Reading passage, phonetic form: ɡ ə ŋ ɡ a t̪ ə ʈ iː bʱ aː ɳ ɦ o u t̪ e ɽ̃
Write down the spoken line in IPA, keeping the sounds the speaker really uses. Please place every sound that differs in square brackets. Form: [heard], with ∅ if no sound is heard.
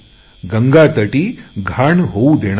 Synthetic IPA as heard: ɡ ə ŋ ɡ a t̪ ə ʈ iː [ɡʱ] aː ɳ ɦ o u [d̪] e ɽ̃